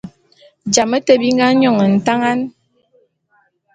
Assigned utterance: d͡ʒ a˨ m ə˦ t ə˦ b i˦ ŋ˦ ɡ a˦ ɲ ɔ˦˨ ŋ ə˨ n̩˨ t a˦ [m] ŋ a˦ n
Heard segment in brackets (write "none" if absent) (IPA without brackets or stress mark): none